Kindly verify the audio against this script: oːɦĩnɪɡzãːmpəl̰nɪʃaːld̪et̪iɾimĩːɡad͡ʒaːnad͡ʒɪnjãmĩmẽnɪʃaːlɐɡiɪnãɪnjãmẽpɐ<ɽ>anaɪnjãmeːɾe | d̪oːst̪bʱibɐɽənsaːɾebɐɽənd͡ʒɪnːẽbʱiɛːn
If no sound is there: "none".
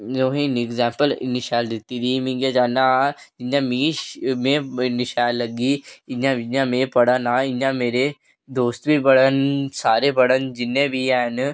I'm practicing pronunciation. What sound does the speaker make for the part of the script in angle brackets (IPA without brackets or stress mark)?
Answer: ɽ